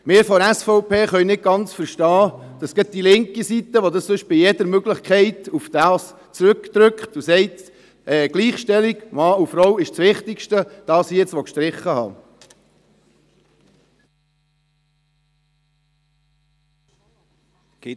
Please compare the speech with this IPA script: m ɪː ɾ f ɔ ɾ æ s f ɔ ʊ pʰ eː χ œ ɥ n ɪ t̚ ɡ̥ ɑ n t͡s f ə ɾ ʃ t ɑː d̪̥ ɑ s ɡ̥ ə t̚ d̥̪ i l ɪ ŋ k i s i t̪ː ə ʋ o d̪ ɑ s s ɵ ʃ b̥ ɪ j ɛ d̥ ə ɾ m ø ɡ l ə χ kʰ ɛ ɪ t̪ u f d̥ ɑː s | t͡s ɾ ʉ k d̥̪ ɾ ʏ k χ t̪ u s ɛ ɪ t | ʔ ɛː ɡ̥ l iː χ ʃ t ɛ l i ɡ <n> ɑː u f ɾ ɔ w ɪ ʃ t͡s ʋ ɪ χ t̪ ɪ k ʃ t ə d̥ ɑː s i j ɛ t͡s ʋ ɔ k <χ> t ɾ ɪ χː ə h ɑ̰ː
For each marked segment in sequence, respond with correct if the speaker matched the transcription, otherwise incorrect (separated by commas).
incorrect, incorrect